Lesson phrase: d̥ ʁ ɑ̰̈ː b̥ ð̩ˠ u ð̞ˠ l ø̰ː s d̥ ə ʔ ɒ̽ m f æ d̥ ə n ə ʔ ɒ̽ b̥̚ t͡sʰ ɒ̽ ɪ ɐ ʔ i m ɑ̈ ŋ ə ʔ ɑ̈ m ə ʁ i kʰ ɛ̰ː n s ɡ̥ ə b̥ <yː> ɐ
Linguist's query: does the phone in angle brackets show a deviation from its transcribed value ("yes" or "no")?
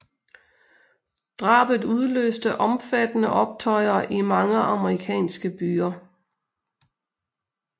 no